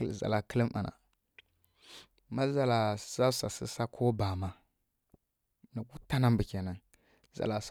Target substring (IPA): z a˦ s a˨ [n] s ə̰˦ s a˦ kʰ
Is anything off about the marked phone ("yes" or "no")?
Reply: yes